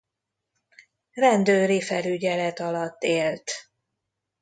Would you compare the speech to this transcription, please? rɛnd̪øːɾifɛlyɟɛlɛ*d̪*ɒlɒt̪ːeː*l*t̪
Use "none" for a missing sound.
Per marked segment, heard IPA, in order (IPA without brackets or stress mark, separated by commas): t̪, l